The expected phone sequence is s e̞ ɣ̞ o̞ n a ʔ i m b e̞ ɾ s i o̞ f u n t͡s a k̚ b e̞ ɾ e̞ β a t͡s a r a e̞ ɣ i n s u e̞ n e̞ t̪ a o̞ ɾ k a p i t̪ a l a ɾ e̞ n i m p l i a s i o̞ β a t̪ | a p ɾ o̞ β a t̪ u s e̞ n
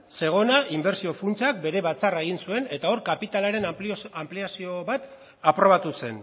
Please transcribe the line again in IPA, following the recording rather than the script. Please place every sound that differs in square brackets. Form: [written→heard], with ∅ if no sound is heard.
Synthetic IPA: s e̞ ɣ̞ o̞ n a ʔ i m b e̞ ɾ s i o̞ f u n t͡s a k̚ b e̞ ɾ e̞ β a t͡s a r a e̞ ɣ i n s u e̞ n e̞ t̪ a o̞ ɾ k a p i t̪ a l a ɾ e̞ n [i→a] m p l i a s i o̞ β a t̪ | a p ɾ o̞ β a t̪ u s e̞ n